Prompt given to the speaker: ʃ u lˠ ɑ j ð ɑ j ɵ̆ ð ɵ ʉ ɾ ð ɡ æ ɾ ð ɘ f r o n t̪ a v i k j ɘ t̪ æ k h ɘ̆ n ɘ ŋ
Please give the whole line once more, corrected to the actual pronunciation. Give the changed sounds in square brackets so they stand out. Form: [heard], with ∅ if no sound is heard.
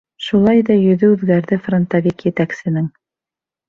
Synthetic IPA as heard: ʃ u lˠ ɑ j ð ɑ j ɵ̆ ð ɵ ʉ [∅] ð ɡ æ ɾ ð ɘ f r o n t̪ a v i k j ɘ t̪ æ k [s] ɘ̆ n ɘ ŋ